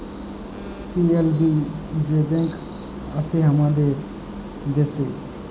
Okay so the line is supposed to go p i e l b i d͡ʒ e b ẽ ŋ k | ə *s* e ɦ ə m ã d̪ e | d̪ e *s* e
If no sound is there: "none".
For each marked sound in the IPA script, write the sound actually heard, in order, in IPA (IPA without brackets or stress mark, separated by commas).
s, s